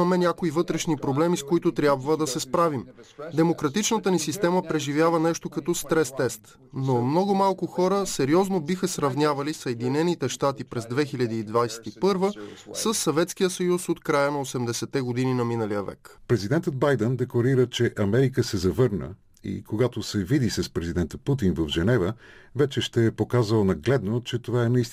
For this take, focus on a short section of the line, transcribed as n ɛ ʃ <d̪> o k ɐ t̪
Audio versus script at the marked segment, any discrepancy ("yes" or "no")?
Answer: yes